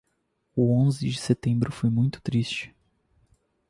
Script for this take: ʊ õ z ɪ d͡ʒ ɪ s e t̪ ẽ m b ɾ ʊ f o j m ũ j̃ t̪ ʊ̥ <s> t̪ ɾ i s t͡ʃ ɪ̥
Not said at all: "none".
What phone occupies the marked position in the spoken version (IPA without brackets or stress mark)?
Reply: none